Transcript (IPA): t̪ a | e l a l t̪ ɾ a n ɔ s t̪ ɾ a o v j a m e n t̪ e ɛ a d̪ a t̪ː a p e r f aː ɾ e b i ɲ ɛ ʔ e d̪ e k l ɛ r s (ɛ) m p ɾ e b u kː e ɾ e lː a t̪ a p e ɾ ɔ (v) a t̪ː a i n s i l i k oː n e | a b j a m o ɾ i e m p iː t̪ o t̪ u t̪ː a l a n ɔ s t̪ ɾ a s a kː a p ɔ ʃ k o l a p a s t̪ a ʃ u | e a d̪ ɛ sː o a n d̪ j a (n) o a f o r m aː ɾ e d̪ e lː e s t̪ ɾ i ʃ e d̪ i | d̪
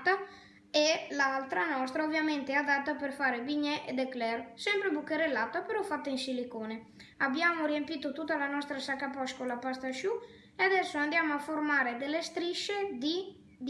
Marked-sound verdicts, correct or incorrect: correct, incorrect: f, incorrect: m

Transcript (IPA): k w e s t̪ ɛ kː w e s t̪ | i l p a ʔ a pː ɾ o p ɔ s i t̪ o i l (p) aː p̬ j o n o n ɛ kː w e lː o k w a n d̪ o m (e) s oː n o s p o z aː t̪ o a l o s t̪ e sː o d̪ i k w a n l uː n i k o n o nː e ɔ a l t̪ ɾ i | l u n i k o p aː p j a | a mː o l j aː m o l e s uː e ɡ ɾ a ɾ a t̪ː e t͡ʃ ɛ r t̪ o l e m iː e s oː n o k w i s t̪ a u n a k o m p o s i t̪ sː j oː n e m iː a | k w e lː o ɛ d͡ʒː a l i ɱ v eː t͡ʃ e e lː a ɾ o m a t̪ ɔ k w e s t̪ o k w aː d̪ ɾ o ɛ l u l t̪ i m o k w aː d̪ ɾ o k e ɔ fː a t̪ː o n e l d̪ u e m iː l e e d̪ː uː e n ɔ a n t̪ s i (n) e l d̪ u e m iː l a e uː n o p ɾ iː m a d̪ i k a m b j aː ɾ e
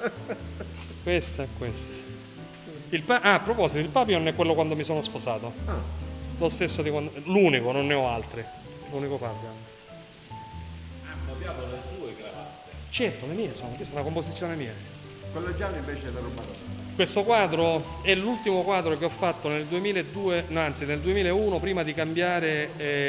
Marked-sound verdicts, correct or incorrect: correct, incorrect: i, correct

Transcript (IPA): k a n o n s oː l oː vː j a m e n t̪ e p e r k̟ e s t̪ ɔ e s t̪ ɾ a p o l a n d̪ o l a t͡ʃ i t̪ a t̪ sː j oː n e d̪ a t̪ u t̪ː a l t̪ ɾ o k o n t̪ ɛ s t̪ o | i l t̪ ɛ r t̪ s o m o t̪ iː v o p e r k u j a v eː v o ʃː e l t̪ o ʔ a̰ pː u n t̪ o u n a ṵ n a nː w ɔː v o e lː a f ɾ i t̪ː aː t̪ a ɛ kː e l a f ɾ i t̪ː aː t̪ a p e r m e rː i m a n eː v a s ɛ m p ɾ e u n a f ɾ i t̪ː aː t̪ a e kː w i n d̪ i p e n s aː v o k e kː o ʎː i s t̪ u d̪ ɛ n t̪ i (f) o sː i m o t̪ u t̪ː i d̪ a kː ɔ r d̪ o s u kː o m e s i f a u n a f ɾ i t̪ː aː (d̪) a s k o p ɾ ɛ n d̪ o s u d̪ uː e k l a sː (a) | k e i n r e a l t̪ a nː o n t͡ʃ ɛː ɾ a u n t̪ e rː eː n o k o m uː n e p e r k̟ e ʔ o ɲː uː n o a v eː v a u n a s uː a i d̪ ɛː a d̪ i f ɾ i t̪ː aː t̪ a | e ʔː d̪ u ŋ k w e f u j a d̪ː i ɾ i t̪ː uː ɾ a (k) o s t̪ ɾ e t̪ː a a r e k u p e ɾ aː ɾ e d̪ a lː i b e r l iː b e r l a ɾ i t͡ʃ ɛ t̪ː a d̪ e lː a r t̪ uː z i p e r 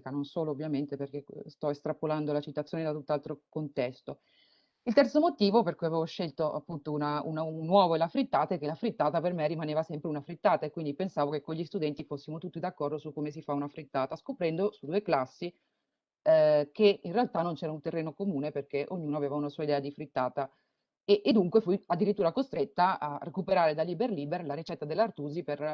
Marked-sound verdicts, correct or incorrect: correct, incorrect: t̪, incorrect: i, correct

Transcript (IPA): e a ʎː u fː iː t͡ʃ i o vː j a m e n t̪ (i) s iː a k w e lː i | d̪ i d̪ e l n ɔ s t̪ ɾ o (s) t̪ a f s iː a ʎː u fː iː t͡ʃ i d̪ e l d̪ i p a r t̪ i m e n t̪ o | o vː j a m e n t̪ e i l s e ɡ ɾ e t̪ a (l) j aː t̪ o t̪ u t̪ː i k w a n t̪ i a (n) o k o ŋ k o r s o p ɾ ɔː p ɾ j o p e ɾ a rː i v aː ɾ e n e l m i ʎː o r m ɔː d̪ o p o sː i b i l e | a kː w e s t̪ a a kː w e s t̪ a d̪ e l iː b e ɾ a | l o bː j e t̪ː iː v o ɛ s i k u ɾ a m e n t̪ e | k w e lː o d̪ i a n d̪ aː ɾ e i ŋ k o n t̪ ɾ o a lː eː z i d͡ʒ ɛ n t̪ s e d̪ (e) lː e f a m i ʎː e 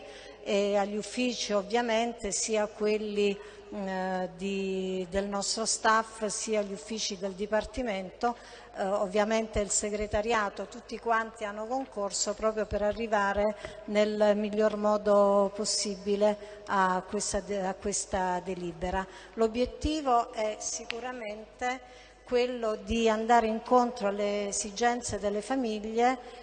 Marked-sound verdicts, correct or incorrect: incorrect: e, correct, incorrect: ɾ, incorrect: nː, correct

